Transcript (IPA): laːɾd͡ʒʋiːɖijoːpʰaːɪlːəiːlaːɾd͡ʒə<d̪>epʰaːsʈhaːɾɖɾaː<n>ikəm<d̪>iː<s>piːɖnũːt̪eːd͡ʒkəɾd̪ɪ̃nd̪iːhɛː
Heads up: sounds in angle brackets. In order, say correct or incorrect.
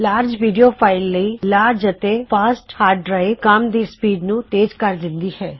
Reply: incorrect, incorrect, correct, correct

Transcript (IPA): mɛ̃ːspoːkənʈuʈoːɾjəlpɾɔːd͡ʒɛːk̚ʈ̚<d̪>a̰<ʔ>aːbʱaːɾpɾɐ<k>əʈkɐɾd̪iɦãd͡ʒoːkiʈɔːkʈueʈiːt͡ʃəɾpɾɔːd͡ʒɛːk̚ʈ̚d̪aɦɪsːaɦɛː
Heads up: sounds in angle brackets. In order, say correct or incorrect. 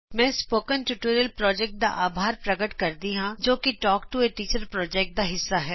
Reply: correct, correct, incorrect

